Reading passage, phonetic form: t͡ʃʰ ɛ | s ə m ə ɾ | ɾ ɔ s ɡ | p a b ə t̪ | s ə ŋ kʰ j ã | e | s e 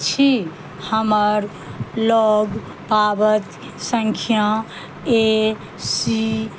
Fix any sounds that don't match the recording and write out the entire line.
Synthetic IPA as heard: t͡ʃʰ i | h ə m ə ɾ | l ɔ ɡ | p a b ə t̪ | s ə ŋ kʰ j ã | e | s i